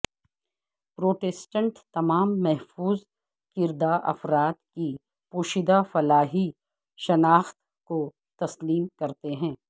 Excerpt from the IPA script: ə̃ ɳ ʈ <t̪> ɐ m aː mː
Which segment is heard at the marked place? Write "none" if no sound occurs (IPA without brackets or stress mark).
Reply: t̪